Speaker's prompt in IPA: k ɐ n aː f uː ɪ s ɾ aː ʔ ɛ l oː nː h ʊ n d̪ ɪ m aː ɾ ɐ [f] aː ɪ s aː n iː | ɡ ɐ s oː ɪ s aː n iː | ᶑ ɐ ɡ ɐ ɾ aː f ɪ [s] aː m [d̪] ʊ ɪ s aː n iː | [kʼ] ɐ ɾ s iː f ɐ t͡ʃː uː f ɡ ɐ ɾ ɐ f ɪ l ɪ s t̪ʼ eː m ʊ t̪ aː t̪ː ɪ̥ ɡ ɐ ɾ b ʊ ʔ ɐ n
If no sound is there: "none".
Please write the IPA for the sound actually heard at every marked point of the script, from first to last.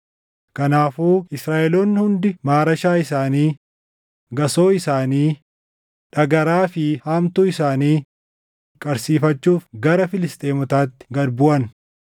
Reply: ʃ, h, t̪, kʼ

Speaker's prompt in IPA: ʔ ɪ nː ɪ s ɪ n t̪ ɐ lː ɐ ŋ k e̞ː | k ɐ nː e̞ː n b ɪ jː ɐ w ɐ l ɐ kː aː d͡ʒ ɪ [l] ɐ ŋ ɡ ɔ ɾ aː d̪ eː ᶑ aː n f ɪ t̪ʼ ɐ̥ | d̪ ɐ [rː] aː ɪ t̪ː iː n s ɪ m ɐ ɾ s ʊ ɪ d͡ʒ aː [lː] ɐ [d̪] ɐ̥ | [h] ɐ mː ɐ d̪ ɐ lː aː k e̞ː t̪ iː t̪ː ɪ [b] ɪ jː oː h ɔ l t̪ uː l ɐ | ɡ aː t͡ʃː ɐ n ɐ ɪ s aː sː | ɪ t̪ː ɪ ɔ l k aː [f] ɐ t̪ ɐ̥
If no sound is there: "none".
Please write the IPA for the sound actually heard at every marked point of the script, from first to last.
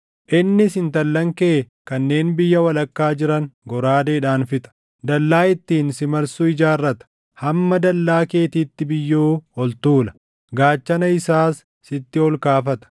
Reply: ɾ, lː, rː, t̪, h, b, f

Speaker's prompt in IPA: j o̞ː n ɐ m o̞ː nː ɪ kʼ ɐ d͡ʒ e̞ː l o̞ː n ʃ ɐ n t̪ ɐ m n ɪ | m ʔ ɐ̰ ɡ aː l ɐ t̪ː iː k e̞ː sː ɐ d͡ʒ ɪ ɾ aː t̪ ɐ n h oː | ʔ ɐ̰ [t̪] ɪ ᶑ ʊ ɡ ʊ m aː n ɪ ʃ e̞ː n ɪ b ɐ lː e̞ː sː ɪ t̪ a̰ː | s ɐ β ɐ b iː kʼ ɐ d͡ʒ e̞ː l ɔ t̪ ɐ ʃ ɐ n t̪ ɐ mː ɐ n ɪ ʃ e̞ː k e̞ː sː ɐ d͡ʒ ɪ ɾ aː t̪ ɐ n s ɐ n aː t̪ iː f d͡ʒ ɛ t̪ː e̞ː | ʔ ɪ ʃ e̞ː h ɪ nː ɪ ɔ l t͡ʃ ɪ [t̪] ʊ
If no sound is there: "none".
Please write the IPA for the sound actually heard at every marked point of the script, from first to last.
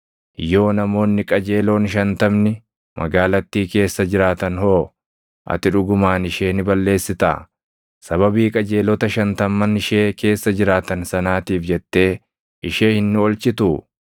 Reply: t̪, t̪

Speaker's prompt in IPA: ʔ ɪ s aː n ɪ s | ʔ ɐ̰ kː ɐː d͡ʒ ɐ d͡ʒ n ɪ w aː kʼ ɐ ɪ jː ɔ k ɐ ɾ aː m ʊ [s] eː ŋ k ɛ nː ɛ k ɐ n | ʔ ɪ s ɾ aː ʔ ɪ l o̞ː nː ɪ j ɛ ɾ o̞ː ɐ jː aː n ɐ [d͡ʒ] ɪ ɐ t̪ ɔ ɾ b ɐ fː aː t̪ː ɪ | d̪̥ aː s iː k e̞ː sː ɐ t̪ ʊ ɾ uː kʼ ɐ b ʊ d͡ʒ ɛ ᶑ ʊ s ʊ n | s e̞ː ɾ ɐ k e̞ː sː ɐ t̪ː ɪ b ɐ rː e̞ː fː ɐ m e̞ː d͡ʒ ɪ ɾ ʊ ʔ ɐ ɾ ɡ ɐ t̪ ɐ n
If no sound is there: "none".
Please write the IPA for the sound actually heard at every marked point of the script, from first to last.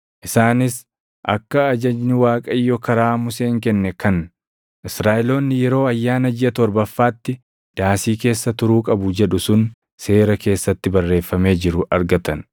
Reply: s, d͡ʒ

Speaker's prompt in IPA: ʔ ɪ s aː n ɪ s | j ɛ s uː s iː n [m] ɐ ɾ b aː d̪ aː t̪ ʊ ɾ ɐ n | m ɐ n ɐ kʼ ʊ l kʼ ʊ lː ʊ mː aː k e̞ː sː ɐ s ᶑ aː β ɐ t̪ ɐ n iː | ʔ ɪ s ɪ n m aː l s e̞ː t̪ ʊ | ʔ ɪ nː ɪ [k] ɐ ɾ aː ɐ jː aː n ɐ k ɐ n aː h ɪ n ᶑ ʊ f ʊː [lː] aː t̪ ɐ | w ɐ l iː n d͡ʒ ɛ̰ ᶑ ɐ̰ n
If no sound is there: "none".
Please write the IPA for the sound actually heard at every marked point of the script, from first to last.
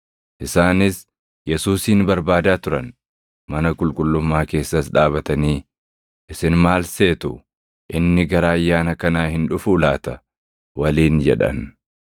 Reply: b, ɡ, l

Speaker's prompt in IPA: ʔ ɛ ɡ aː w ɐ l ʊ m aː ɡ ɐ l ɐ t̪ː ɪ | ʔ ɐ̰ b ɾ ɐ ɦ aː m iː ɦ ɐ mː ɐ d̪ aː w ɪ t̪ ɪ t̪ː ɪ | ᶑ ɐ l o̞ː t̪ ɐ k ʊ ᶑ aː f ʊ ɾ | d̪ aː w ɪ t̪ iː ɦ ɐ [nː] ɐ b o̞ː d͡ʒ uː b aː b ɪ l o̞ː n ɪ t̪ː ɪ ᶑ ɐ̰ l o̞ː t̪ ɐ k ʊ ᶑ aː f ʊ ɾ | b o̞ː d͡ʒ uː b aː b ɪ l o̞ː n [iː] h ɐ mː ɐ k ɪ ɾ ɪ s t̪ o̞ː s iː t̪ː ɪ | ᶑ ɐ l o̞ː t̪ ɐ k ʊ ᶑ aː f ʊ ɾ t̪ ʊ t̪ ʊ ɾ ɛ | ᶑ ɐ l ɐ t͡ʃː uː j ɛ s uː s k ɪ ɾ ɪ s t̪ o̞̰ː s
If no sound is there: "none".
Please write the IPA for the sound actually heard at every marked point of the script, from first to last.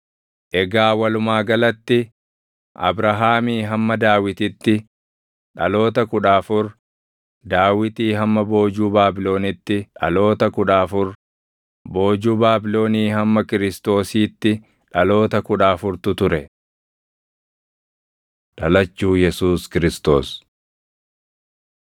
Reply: mː, iː

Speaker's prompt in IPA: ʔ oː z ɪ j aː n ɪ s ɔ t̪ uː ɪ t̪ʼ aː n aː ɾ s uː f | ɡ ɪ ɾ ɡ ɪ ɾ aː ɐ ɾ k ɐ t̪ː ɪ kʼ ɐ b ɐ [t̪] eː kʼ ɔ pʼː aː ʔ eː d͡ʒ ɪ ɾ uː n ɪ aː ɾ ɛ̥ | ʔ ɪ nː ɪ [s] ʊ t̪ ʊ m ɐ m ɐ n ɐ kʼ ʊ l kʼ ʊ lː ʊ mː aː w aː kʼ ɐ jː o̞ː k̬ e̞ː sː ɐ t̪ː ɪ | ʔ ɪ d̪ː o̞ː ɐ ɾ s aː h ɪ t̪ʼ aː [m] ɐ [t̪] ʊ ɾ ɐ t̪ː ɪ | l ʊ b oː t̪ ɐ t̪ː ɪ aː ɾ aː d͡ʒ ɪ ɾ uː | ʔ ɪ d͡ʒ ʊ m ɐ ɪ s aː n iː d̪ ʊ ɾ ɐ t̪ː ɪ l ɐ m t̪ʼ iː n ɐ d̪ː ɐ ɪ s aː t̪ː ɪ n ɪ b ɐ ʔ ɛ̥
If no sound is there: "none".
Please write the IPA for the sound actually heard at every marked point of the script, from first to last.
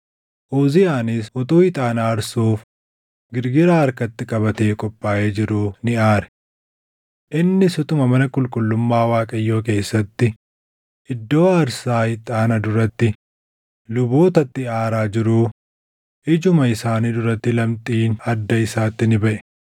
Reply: t̪, s, n, d̪

